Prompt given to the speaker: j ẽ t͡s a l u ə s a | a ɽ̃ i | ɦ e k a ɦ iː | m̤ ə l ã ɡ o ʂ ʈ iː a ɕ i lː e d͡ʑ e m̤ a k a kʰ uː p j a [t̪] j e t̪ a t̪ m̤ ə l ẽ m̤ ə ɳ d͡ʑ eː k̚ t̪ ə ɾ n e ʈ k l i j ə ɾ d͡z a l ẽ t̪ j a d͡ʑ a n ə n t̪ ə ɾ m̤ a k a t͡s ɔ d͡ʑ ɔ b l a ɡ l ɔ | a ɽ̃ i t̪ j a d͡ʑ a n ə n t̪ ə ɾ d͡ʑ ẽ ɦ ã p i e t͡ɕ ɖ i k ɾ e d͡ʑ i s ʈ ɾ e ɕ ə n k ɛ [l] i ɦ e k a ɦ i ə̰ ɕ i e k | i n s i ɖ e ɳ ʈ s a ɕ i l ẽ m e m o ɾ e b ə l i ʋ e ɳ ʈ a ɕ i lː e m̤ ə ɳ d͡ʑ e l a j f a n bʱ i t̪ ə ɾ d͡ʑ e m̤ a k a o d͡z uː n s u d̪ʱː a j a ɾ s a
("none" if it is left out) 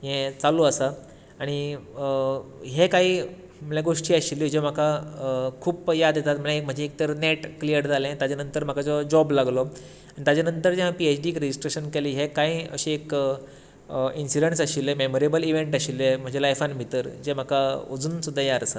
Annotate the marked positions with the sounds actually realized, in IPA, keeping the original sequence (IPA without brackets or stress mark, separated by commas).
d̪, l